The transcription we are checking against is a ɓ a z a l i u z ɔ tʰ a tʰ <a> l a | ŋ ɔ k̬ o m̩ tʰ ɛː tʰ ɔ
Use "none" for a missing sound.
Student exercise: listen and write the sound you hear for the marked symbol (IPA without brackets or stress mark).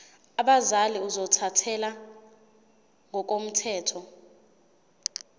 ɛ